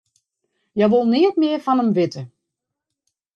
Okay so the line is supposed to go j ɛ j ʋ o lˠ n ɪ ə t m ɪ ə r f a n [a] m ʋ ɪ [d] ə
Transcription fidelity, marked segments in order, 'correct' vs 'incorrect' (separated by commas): incorrect, incorrect